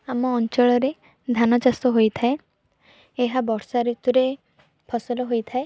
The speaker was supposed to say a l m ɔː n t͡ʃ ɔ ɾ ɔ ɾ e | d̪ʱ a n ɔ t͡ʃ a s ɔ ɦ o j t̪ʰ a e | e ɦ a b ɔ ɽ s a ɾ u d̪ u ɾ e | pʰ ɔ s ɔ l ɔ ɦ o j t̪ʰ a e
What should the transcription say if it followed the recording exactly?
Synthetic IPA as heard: a m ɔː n t͡ʃ ɔ ɭ ɔ ɾ e | d̪ʱ a n ɔ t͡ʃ a s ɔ ɦ o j t̪ʰ a e | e ɦ a b ɔ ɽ s a ɾ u t̪ u ɾ e | pʰ ɔ s ɔ l ɔ ɦ o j t̪ʰ a e

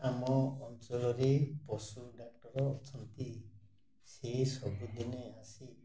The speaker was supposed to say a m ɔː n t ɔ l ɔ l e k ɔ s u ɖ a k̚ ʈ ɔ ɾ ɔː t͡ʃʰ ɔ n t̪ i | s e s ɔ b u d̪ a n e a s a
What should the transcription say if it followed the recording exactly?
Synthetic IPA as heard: a m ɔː n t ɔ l ɔ ɾ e p ɔ s u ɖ a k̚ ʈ ɔ ɾ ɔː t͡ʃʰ ɔ n t̪ i | s e s ɔ b u d̪ i n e a s i

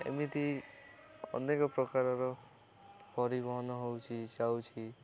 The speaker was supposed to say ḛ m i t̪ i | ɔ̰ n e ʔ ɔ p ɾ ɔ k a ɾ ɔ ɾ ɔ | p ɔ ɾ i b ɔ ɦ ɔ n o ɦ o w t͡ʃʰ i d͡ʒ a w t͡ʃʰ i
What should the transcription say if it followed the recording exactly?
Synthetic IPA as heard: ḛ m i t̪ i | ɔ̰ n e k ɔ p ɾ ɔ k a ɾ ɔ ɾ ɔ | p ɔ ɾ i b ɔ ɦ ɔ n ɔ ɦ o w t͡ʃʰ i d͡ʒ a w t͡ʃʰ i

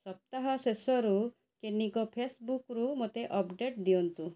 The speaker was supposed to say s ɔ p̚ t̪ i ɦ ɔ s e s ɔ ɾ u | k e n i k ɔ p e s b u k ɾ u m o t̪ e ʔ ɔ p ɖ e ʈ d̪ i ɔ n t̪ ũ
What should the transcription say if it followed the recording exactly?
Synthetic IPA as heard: s ɔ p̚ t̪ a ɦ ɔ s e s ɔ ɾ u | k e n i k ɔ pʰ e s b u k ɾ u m o t̪ e ʔ ɔ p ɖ e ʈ d̪ i ɔ n t̪ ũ

